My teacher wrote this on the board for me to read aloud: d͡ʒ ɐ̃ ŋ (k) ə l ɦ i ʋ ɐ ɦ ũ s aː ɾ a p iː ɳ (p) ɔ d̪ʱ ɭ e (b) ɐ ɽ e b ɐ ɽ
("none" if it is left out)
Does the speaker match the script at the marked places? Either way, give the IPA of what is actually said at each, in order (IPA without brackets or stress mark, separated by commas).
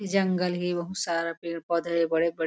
ɡ, p, b